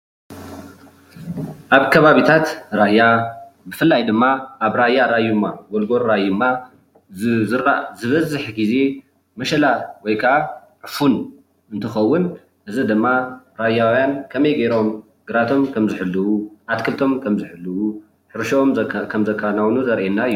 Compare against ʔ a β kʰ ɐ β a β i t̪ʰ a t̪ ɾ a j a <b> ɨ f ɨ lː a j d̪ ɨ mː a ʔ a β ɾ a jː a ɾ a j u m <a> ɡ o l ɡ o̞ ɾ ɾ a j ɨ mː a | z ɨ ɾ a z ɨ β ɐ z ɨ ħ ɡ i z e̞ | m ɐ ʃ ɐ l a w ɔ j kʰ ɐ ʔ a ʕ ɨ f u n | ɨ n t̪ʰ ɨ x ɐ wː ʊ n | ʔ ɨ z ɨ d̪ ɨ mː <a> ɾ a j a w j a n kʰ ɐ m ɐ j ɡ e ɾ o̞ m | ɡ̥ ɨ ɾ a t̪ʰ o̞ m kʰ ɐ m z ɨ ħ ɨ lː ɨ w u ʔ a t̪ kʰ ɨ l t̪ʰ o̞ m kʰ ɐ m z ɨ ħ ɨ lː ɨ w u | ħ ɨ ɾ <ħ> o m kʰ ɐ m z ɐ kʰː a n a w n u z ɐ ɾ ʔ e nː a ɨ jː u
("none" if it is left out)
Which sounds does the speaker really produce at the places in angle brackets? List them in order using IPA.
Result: b, a, a, ʃ

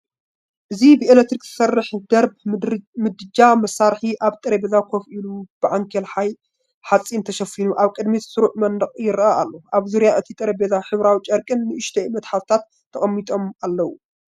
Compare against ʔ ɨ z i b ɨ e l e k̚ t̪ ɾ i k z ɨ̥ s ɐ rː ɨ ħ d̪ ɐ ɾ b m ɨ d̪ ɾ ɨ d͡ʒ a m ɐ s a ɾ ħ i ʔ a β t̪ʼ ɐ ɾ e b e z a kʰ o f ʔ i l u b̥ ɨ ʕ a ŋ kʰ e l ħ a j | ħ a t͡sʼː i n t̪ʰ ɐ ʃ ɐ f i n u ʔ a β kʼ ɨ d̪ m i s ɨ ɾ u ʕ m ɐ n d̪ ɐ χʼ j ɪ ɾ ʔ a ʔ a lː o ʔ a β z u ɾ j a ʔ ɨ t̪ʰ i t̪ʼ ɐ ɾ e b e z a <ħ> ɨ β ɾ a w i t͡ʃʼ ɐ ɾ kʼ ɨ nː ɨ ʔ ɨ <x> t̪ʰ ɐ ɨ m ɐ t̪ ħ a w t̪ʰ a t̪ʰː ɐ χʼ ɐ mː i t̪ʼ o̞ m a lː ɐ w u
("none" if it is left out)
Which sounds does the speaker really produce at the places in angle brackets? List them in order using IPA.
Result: ħ, ʃ

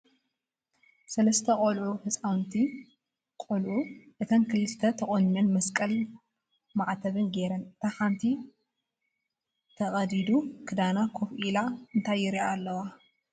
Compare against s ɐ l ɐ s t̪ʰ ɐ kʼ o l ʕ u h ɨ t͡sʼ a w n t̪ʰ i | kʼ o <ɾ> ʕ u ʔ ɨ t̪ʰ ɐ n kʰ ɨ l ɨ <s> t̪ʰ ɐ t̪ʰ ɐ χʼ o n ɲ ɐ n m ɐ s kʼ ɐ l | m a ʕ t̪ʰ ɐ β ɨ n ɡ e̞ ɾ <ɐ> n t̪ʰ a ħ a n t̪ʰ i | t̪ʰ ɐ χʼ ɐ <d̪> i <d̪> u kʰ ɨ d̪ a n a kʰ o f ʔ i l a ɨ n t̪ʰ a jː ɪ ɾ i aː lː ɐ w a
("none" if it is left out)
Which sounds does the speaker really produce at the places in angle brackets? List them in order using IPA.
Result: l, s, ɐ, d̪, d̪

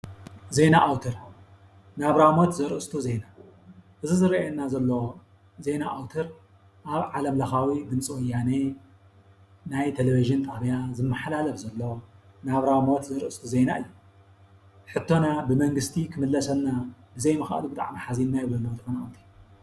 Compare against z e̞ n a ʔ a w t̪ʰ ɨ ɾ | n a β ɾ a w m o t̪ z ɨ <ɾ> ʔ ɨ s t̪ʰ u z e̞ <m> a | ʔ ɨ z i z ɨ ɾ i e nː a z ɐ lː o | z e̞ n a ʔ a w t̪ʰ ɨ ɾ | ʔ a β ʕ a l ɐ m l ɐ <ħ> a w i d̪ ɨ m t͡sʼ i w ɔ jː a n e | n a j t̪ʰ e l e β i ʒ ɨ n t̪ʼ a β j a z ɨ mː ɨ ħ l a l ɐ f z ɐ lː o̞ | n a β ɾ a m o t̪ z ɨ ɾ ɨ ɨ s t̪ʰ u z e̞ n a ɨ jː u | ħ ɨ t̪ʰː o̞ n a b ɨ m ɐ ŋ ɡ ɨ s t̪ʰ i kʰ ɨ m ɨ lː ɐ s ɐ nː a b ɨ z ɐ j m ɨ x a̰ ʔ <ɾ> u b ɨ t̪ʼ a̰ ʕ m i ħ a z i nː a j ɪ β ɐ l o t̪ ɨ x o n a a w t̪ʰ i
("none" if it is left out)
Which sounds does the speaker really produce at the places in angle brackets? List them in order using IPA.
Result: ɾ, n, x, l

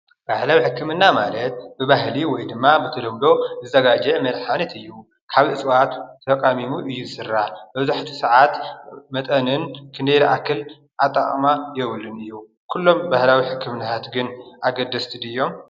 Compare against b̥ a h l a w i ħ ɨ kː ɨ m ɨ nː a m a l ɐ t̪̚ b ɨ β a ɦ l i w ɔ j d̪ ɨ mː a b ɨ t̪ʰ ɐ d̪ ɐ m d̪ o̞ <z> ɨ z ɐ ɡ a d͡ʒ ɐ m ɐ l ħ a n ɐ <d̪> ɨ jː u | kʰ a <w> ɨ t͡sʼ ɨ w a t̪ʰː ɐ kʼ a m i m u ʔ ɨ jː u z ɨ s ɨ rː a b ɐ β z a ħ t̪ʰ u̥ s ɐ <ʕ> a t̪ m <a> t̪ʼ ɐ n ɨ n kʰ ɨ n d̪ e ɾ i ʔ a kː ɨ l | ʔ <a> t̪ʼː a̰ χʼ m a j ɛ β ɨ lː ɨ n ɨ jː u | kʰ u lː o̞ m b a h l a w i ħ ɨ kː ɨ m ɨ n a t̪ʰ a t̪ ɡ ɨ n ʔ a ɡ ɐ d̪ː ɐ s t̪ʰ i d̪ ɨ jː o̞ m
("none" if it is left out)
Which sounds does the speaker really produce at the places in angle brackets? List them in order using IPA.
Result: z, t̪, β, ʕ, ɐ, a

